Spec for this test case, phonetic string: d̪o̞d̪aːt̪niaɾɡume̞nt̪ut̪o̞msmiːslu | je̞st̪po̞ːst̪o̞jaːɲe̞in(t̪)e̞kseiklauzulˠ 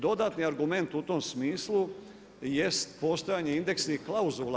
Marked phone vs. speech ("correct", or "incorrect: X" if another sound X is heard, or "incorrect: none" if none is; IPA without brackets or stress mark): incorrect: d̪